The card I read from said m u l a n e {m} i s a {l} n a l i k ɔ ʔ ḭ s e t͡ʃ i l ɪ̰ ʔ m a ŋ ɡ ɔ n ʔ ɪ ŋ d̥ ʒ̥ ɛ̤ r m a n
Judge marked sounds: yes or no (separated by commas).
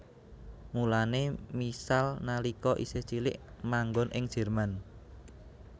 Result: yes, yes